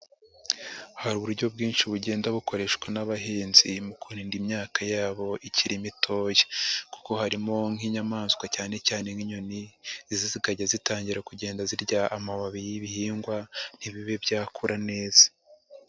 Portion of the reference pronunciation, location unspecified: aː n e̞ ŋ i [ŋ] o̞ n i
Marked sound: incorrect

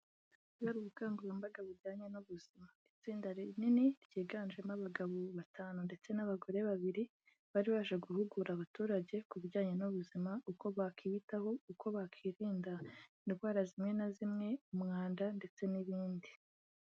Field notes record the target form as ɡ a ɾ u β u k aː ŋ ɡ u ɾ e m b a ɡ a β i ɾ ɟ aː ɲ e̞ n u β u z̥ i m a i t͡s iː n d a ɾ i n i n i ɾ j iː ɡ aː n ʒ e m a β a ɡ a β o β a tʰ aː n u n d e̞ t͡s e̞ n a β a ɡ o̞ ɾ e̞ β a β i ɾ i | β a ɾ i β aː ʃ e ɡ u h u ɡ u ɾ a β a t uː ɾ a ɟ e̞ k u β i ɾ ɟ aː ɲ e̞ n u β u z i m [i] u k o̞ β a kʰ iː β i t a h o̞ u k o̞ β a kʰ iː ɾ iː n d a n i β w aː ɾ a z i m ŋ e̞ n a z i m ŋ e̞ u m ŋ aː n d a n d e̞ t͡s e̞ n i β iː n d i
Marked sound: incorrect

